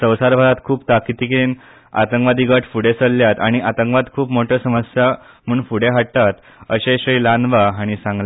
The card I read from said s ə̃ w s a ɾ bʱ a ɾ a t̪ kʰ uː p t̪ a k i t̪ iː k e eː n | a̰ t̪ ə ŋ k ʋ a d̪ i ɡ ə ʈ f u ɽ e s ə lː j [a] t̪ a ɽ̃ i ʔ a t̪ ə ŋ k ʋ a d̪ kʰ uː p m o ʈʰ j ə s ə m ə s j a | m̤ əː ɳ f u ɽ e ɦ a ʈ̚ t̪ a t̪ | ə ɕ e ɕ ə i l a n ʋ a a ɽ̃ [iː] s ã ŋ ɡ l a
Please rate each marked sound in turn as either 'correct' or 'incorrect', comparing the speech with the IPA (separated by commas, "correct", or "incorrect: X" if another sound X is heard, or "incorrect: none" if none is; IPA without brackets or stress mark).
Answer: correct, incorrect: i